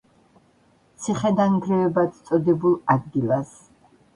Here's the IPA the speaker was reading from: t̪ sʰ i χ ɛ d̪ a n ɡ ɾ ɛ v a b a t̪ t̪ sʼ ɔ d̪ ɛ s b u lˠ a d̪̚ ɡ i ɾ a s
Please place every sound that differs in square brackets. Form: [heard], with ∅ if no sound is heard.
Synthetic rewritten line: t̪ sʰ i χ ɛ d̪ a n ɡ ɾ ɛ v [ɛ] b a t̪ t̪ sʼ ɔ d̪ ɛ [∅] b u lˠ a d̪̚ ɡ i [l] a s